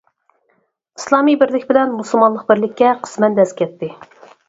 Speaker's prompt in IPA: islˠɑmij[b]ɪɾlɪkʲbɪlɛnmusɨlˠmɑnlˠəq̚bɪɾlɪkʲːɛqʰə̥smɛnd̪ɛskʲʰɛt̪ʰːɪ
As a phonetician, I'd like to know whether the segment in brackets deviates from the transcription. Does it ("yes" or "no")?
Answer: no